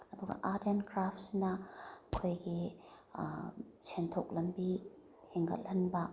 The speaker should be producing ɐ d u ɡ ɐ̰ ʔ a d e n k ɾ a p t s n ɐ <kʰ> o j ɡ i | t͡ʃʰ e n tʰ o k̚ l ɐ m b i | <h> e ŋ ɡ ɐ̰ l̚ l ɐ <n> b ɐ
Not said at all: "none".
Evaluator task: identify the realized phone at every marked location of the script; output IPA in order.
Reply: kʰ, h, n

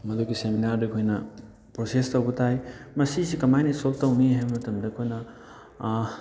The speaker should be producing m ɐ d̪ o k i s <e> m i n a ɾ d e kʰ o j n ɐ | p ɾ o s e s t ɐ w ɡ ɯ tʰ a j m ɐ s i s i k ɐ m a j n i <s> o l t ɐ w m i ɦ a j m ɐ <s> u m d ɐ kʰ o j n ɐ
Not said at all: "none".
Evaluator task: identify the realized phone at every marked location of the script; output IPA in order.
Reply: e, s, t

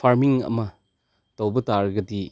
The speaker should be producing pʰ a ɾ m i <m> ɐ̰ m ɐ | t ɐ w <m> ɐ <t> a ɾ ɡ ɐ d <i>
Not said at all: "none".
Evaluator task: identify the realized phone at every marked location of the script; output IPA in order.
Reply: ŋ, b, t, i

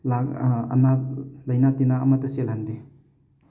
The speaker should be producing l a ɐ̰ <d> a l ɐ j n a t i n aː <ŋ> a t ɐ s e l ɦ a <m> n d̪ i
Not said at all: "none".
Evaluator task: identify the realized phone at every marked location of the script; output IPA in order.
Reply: n, m, none

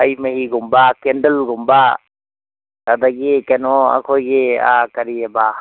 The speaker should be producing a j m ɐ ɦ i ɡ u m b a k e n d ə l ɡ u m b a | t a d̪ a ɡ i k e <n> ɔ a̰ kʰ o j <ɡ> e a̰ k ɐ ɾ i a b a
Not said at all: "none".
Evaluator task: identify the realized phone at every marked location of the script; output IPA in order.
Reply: n, ɡ

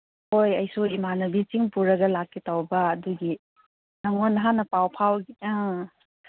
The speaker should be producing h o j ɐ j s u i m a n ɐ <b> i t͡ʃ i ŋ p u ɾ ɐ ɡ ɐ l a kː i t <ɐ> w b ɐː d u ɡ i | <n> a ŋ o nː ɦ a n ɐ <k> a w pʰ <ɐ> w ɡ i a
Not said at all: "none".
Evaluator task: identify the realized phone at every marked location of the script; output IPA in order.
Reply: b, a, n, p, a

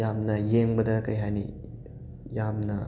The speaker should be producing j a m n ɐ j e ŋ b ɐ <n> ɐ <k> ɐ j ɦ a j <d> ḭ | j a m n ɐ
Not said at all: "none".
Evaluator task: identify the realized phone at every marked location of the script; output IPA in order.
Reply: d, k, n

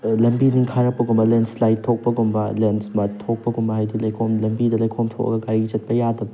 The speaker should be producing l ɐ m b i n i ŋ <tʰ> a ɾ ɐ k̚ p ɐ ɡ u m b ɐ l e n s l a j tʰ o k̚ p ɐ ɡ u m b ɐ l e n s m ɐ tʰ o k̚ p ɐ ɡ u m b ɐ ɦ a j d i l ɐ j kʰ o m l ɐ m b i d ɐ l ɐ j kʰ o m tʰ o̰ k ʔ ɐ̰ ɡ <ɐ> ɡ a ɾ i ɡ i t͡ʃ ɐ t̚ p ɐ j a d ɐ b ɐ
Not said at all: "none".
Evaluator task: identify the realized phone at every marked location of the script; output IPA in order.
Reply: kʰ, ɐ

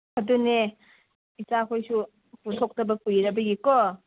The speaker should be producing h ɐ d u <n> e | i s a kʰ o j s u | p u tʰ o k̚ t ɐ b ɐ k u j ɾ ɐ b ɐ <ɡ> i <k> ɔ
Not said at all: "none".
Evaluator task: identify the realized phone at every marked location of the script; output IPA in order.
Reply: n, ɡ, k

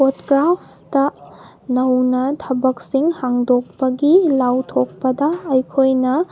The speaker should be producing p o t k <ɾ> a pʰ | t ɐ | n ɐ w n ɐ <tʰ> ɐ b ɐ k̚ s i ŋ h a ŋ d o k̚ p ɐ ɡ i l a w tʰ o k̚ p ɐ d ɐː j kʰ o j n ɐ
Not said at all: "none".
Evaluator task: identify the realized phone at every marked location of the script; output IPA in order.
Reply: ɾ, tʰ

